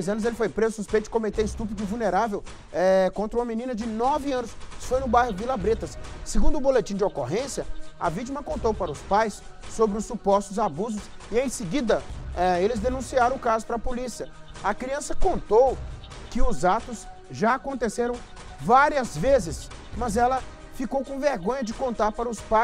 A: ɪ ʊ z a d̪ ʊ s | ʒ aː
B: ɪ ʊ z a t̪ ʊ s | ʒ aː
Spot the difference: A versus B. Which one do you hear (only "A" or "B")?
B